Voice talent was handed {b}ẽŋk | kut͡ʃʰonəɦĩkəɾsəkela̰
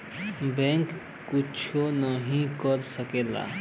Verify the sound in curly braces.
correct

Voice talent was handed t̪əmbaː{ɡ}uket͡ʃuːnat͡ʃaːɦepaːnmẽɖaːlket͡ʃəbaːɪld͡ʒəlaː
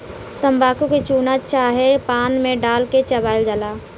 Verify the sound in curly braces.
incorrect: k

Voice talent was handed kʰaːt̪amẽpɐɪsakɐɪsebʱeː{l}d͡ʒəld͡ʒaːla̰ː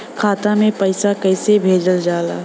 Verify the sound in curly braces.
incorrect: none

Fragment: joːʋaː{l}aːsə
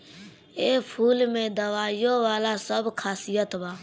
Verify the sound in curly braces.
correct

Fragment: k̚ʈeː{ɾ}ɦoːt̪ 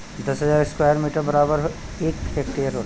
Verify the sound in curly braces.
correct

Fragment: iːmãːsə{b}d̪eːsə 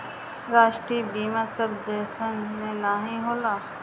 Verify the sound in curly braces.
correct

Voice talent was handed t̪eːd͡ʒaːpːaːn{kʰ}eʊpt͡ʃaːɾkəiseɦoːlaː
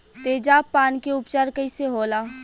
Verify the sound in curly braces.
incorrect: k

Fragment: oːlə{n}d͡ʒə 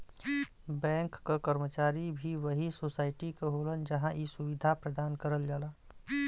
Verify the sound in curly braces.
correct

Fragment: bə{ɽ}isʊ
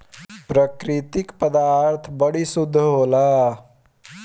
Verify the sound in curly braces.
correct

